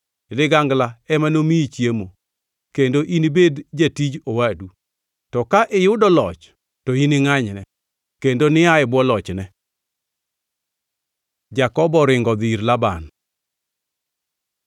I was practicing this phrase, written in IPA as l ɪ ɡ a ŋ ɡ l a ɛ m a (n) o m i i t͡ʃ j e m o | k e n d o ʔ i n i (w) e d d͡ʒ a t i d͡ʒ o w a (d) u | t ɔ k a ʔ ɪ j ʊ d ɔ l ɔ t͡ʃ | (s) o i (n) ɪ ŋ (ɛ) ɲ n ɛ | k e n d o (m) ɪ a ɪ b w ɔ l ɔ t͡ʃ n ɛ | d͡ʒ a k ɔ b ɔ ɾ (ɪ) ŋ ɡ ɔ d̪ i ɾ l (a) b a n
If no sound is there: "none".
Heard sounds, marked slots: n, b, d, t, n, a, n, ɪ, a

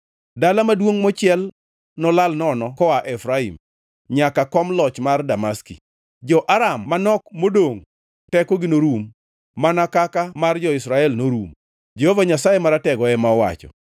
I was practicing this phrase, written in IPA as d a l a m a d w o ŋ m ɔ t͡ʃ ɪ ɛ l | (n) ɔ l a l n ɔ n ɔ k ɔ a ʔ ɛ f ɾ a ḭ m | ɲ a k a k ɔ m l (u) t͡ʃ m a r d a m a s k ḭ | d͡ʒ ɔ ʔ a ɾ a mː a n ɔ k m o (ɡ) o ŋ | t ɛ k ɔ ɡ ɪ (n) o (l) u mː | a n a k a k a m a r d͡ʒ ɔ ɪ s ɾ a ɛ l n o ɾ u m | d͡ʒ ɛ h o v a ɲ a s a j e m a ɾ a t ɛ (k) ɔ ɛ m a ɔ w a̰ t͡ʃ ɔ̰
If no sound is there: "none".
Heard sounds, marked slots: n, ɔ, d, n, ɾ, ɡ

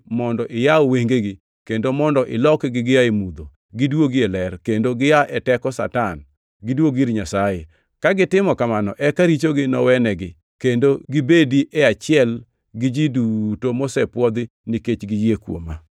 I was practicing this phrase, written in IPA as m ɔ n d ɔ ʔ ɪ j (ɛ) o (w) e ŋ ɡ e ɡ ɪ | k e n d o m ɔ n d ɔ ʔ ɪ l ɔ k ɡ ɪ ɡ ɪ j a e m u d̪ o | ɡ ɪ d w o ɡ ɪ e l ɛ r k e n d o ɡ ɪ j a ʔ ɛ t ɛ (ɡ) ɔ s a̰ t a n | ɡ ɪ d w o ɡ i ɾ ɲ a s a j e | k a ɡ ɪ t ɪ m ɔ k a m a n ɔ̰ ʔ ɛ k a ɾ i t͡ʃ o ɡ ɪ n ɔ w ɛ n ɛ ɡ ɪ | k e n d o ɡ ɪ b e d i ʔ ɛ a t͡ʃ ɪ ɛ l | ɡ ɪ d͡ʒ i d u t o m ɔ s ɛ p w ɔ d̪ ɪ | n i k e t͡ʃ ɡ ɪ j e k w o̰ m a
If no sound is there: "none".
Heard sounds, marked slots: a, w, k

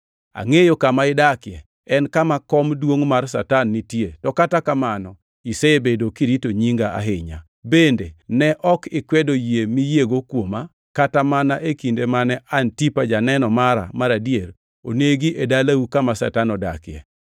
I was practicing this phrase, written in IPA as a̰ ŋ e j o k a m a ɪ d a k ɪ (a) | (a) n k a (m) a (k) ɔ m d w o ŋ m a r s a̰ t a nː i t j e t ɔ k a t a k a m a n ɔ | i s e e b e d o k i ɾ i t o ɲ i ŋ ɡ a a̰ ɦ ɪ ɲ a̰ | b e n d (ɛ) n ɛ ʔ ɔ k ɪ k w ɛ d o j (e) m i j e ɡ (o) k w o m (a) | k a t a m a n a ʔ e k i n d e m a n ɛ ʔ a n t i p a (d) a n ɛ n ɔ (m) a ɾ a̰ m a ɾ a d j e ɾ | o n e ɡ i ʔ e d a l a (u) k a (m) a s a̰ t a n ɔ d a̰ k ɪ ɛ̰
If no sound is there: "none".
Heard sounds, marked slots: ɛ, ɛ, m, k, e, e, o, a, d͡ʒ, m, u, m

